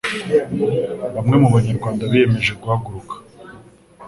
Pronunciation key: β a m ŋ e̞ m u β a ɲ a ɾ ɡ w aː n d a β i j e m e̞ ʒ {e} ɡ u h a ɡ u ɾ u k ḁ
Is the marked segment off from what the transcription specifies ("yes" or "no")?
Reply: no